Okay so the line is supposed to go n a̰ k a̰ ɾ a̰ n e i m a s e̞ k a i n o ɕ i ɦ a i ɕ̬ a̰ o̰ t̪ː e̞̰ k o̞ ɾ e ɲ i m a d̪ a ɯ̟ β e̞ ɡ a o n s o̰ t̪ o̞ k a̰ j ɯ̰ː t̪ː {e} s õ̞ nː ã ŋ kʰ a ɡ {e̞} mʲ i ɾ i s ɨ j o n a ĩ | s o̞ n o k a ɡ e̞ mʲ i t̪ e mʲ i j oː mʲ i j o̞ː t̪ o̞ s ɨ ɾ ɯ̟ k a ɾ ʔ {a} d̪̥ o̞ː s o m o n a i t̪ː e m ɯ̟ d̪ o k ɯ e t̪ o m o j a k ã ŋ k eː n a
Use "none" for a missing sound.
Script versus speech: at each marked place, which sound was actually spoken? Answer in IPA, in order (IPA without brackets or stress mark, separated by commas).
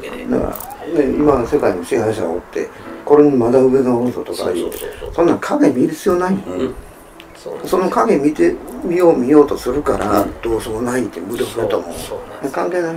e, e̞, a